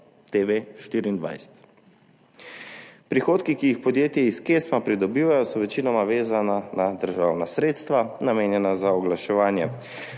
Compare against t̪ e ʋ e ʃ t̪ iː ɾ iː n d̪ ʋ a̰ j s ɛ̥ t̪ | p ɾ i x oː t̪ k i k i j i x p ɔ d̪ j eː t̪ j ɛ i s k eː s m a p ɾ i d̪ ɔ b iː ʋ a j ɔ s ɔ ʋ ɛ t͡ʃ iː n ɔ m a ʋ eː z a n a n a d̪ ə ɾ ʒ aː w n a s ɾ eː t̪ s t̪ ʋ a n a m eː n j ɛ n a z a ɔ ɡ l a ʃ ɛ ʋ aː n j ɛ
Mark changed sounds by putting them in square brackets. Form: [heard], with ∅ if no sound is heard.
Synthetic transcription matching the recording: t̪ e ʋ e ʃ t̪ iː ɾ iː n d̪ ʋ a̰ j s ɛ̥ t̪ | p ɾ i x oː t̪ k i k i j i x p ɔ d̪ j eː t̪ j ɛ i s k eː s m a p ɾ i d̪ ɔ b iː ʋ a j ɔ s ɔ ʋ ɛ t͡ʃ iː n ɔ m a ʋ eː z a n a n a d̪ ə ɾ ʒ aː w n a s ɾ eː t̪ s t̪ ʋ a n a m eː n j ɛ n a z a ɔ ɡ l a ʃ ɛ ʋ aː n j ɛ